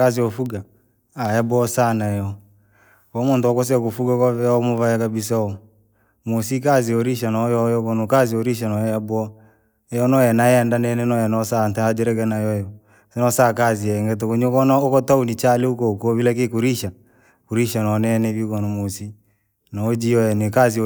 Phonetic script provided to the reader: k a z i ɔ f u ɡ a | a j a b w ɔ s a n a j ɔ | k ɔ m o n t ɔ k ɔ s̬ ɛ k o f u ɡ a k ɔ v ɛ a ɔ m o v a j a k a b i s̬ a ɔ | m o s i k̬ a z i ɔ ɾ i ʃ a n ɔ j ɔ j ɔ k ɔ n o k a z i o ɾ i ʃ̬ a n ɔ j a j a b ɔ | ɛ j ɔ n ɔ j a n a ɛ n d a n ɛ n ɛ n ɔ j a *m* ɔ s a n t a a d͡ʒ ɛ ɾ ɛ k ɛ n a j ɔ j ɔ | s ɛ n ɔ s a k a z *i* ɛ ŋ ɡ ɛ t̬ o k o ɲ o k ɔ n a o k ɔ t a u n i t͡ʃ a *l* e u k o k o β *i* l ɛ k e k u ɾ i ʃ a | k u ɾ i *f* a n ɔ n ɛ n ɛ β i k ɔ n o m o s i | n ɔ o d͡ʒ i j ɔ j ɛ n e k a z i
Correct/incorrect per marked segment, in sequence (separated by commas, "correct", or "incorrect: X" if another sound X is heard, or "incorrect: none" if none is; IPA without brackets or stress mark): incorrect: n, correct, correct, correct, incorrect: ʃ